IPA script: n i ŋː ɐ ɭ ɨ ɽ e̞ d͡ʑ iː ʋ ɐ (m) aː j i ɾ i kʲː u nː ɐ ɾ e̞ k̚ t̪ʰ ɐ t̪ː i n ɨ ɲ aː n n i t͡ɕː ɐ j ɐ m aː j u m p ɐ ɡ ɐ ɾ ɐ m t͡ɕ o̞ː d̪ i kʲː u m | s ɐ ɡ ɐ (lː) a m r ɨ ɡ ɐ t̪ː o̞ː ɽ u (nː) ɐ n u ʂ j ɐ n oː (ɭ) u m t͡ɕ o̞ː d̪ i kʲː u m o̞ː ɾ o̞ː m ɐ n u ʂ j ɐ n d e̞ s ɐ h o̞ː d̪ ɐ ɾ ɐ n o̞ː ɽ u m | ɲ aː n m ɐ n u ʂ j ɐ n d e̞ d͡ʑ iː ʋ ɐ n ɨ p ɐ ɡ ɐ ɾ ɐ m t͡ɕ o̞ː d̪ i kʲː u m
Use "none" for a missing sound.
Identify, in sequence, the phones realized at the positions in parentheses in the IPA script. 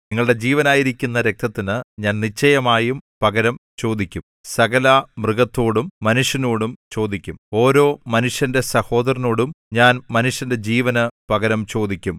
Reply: n, l, mː, ɽ

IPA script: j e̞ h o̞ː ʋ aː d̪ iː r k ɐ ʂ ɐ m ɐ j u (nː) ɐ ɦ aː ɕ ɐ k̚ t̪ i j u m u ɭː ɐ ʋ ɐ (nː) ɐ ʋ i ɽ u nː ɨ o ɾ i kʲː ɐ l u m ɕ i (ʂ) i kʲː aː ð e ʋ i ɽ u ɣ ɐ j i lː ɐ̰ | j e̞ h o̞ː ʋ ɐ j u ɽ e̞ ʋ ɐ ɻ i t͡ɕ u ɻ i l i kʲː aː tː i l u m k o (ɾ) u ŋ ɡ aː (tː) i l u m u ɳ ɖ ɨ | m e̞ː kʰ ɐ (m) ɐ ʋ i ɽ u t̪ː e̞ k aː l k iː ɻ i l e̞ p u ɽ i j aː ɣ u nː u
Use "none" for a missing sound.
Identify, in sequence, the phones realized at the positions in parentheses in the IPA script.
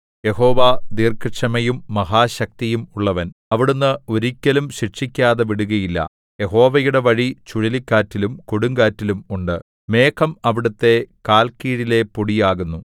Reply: mː, n, ʂ, ɽ, tː, m

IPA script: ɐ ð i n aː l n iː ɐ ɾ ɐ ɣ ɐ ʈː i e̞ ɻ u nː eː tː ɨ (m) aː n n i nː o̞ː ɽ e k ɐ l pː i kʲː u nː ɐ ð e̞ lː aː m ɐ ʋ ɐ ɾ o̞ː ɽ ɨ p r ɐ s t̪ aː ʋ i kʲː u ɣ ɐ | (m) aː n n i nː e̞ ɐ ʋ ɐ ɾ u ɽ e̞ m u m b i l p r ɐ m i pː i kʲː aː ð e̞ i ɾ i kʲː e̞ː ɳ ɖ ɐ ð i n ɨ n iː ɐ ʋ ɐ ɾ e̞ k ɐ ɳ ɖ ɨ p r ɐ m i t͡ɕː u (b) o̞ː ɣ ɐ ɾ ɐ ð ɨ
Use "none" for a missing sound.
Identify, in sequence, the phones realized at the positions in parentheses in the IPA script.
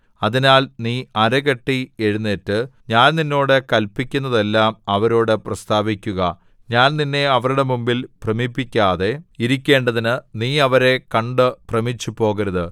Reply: ɲ, ɲ, p

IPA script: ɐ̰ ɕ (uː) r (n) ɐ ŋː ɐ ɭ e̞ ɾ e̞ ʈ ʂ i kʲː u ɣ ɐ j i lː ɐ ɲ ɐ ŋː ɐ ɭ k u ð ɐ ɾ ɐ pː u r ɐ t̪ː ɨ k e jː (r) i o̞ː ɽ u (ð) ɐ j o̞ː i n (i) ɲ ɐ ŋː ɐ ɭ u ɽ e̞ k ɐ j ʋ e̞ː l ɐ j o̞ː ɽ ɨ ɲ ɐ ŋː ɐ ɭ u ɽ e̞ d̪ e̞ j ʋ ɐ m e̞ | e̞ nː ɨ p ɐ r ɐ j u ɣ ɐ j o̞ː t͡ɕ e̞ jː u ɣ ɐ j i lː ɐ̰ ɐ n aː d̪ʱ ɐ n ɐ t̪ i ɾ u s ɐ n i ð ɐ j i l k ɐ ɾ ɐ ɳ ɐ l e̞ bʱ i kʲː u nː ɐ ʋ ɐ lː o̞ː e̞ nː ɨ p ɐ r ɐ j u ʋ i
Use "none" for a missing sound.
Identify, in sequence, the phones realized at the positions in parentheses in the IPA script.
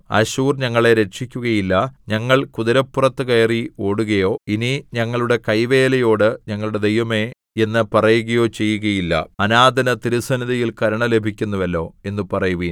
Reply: uː, ɲ, r, ɣ, i

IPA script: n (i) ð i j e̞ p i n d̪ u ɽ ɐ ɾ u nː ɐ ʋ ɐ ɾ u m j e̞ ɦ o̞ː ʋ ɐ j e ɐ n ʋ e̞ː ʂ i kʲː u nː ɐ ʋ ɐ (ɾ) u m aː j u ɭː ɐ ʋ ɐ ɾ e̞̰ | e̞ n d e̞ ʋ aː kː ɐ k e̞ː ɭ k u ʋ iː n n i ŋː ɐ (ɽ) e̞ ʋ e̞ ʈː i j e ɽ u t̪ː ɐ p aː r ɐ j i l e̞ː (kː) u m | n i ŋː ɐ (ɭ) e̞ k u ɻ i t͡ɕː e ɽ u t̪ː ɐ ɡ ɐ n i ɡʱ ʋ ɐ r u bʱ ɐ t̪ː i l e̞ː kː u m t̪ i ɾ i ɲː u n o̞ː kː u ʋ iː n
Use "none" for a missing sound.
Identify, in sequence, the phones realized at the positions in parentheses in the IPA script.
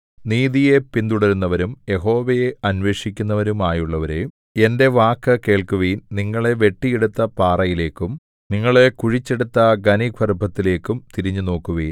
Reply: iː, ɾ, ɭ, kː, ɭ

